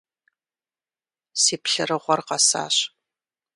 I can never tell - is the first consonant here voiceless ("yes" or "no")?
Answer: yes